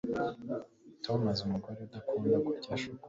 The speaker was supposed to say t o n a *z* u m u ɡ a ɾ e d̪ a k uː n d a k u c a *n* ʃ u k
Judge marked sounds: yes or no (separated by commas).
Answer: yes, no